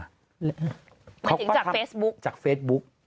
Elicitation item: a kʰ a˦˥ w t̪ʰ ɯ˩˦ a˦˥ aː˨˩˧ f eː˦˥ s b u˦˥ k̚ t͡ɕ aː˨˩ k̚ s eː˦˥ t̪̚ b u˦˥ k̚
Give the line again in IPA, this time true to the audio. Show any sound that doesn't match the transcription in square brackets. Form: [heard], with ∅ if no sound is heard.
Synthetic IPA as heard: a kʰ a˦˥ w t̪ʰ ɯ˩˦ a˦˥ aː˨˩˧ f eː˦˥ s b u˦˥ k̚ t͡ɕ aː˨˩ k̚ [f] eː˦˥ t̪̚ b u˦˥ k̚